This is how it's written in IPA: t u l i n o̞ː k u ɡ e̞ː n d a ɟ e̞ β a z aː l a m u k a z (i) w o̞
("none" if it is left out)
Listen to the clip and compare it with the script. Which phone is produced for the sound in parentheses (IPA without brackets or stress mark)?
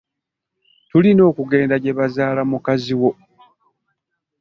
i